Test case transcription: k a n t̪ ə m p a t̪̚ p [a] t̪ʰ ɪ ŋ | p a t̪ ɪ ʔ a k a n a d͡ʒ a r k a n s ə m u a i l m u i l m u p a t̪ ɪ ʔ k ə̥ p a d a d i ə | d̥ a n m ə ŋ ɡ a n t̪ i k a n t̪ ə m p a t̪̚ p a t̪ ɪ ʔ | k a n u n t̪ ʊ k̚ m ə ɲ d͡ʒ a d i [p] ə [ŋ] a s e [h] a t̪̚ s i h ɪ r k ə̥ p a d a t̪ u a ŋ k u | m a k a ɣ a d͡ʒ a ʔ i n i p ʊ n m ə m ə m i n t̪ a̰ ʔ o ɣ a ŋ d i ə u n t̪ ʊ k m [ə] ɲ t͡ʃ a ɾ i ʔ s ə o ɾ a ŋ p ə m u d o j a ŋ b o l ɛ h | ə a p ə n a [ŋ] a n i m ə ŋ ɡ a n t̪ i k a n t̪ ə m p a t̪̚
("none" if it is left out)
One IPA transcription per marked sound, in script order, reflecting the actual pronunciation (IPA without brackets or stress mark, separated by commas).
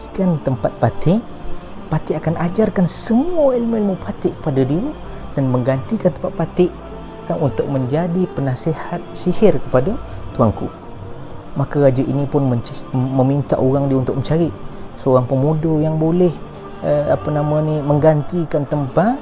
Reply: a, p, n, h, ə, m